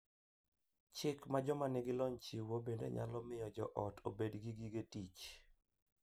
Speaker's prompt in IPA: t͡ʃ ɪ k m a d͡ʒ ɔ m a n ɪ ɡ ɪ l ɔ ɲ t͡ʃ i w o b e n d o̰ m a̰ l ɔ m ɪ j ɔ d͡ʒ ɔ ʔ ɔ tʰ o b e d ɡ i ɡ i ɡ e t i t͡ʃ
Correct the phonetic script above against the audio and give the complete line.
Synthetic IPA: t͡ʃ ɪ k m a d͡ʒ ɔ m a n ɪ ɡ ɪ l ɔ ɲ t͡ʃ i w o b e n d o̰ ɲ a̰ l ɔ m ɪ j ɔ d͡ʒ ɔ ʔ ɔ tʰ o b e d ɡ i ɡ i ɡ e t i t͡ʃ